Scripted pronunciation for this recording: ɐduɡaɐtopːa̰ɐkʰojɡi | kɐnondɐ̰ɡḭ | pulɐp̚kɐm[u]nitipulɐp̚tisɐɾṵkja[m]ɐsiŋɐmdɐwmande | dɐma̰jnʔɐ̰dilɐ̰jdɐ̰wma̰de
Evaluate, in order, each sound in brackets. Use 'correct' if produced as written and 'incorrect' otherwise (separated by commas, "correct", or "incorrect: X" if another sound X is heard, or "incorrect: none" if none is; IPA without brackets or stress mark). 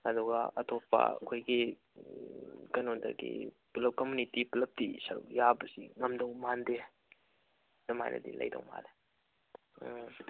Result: correct, incorrect: b